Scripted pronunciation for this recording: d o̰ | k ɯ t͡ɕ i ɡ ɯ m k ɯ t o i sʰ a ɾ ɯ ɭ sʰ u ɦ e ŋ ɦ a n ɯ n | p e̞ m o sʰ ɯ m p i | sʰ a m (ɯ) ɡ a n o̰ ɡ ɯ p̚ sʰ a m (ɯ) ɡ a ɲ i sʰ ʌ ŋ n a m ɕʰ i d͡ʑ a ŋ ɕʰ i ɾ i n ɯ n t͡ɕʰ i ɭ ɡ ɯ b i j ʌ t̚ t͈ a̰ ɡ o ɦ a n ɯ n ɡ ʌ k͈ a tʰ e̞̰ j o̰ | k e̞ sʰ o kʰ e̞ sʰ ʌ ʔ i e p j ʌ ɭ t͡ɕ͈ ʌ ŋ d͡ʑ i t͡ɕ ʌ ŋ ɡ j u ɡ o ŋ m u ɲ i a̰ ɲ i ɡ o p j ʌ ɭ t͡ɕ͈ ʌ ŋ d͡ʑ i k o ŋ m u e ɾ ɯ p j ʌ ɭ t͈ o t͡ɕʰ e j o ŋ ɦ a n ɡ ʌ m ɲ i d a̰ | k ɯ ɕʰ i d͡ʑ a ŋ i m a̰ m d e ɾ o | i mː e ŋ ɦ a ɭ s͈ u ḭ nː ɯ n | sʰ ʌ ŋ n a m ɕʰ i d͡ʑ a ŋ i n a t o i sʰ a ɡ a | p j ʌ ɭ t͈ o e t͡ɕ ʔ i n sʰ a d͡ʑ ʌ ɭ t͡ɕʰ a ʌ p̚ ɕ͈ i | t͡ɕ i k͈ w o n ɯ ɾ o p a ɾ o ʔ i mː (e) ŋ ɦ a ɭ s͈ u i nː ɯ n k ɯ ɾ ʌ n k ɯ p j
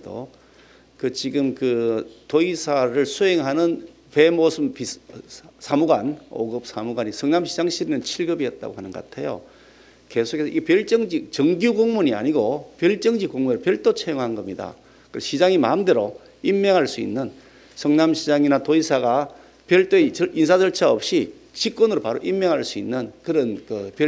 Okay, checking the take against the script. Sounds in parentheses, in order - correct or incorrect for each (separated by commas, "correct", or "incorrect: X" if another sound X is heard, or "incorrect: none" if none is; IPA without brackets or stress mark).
incorrect: u, incorrect: u, correct